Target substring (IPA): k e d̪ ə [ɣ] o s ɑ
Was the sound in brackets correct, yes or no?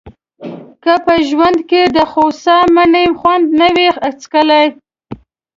no